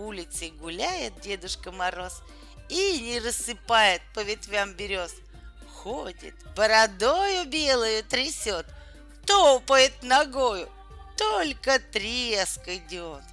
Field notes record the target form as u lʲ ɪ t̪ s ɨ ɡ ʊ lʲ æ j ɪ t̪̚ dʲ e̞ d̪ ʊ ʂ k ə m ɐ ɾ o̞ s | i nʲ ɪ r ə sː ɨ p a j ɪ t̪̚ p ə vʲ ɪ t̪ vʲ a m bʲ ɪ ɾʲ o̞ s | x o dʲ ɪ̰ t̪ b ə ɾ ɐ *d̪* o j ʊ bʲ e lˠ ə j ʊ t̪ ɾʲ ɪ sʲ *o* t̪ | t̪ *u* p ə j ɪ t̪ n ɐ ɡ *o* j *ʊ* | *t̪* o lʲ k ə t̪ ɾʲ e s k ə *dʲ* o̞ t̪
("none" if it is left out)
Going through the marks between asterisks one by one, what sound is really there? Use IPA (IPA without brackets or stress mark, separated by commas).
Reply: d̪, o, o, o, ʊ, t̪, dʲ